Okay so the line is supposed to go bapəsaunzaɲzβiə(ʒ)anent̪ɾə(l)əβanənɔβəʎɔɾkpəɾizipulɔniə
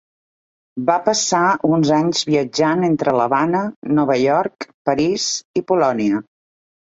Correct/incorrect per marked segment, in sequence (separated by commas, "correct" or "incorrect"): incorrect, correct